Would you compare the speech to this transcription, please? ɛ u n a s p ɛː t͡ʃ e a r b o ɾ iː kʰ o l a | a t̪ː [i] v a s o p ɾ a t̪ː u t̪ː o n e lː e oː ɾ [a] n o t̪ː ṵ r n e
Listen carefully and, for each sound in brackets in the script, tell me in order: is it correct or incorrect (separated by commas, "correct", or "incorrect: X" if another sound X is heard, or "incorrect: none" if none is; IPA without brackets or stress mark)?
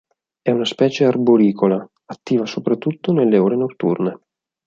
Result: incorrect: iː, incorrect: e